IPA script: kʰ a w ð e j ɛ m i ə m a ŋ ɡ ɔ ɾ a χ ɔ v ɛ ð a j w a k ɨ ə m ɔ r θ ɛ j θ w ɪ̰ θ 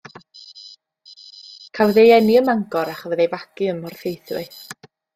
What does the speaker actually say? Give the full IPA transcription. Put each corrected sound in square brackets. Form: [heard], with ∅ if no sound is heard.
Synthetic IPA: kʰ a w ð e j ɛ [n] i ə m a ŋ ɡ ɔ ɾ a χ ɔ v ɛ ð [e] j [v] a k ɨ ə m ɔ r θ [e] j θ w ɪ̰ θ